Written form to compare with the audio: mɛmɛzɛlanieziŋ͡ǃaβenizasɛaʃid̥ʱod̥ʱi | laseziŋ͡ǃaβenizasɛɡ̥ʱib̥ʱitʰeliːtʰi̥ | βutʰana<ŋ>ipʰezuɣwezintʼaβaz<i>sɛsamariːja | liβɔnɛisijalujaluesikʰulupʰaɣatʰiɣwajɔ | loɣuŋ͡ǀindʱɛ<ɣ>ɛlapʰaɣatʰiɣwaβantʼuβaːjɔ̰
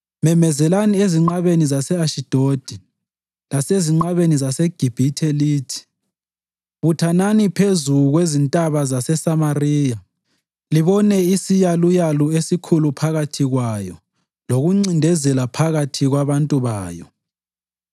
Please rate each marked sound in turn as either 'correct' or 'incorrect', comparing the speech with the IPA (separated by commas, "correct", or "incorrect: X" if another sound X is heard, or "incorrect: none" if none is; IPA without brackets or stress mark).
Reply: incorrect: n, incorrect: a, incorrect: z